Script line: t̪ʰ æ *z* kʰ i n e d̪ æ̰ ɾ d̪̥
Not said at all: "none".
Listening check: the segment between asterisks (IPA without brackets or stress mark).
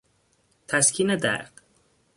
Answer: s